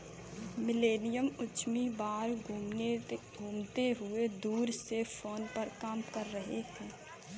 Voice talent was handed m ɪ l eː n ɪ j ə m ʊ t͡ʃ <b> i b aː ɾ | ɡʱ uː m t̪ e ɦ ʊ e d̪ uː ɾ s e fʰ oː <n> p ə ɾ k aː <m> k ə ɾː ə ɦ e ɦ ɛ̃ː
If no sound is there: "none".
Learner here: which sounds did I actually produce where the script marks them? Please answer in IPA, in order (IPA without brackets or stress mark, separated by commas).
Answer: m, n, m